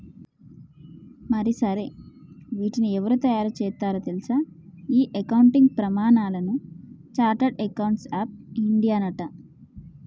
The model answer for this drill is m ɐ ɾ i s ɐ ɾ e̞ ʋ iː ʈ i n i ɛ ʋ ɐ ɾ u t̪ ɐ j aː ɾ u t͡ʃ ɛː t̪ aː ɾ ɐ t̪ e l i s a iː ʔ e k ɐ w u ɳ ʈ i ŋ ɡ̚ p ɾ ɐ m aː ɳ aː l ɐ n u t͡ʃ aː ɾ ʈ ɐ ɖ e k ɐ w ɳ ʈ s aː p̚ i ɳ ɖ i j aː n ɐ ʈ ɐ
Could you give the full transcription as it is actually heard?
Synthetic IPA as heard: m ɐ ɾ i s ɐ ɾ e̞ ʋ iː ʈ i n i ɛ ʋ ɐ ɾ u t̪ ɐ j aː ɾ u t͡ʃ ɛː t̪ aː ɾ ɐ t̪ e l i s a iː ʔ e k ɐ w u ɳ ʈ i ŋ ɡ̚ p ɾ ɐ m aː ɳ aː l ɐ n u t͡ʃ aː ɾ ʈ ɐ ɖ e k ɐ w ɳ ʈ s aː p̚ i ɳ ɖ i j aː n ɐ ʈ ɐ